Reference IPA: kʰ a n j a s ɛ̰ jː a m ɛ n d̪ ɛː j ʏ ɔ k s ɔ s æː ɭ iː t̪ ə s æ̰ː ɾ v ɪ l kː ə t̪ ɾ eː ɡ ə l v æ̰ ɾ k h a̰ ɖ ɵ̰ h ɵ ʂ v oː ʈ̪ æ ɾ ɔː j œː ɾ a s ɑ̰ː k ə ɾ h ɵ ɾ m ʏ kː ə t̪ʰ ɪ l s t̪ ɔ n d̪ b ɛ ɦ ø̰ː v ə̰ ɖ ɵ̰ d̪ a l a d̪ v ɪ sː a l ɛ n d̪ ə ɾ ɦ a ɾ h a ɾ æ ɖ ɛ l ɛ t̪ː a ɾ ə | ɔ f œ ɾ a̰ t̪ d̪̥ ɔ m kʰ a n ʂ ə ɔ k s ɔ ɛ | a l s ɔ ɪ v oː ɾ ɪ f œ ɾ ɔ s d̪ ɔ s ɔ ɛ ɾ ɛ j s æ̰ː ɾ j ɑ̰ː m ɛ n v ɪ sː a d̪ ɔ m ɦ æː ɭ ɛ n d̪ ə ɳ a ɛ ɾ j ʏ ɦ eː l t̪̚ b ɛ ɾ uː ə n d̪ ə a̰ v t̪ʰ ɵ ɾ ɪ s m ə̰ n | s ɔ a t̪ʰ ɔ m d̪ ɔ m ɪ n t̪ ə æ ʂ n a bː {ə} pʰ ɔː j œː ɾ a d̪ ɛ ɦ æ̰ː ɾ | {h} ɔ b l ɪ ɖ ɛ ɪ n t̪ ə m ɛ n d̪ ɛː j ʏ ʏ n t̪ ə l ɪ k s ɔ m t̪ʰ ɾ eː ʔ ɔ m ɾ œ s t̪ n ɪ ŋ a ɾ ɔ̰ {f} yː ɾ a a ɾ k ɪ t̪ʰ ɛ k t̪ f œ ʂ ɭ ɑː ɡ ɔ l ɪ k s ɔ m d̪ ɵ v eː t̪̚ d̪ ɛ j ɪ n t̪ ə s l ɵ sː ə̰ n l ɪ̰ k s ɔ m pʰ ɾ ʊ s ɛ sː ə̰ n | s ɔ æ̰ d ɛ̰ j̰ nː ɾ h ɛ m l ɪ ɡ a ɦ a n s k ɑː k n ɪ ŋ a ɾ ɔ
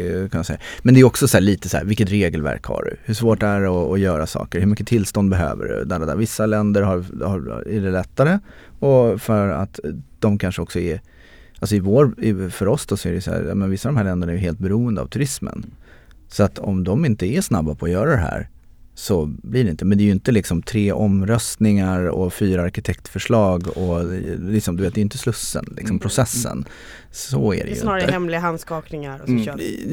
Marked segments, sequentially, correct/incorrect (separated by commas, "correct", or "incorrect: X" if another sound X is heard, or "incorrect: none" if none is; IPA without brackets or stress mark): incorrect: a, incorrect: s, correct